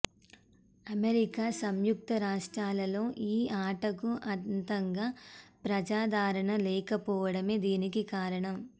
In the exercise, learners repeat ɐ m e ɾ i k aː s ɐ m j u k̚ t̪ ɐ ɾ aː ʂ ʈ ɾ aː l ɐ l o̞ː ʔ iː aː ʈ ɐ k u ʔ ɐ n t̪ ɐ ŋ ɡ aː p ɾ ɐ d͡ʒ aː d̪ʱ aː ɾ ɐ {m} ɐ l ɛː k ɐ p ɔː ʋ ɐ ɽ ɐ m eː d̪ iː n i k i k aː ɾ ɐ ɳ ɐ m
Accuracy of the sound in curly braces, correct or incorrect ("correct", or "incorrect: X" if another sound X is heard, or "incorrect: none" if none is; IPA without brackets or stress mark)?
incorrect: ɳ